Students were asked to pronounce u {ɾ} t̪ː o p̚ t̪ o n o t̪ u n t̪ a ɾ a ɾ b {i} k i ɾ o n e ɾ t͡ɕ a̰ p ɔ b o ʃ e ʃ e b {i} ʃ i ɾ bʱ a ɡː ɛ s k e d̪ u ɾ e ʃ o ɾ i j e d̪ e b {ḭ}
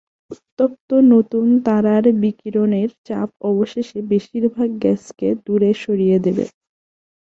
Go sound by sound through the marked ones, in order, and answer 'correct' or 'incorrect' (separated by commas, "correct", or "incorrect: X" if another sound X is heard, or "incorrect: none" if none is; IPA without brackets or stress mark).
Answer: incorrect: none, correct, incorrect: e, incorrect: ḛ